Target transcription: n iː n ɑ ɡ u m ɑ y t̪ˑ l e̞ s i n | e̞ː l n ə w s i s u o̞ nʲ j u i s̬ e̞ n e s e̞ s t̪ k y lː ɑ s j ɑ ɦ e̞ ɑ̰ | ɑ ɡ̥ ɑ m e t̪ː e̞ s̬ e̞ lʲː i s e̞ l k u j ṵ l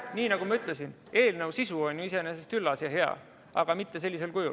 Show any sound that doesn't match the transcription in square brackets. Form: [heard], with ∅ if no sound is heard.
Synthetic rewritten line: n iː n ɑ ɡ u m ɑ y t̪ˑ l e̞ s i n | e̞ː l n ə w s i s u o̞ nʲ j u i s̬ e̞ n e s e̞ s t̪ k y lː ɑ s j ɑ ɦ e̞ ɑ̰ | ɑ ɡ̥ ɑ m [i] t̪ː e̞ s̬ e̞ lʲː i s e̞ l k u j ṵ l